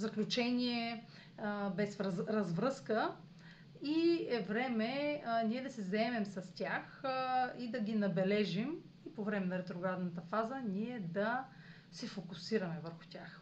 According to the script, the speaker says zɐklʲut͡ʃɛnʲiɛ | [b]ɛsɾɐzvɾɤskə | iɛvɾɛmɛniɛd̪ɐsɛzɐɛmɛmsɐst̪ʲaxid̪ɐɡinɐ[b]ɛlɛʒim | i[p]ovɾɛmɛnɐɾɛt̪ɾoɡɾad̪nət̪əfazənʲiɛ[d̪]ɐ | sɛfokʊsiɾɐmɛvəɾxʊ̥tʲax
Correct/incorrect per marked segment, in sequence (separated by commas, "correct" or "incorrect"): correct, correct, correct, correct